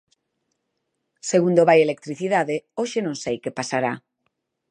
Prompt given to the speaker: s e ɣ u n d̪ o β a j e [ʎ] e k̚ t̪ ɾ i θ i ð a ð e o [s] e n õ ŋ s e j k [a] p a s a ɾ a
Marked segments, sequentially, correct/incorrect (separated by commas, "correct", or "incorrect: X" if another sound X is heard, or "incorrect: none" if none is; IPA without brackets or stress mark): incorrect: l, incorrect: ʃ, incorrect: e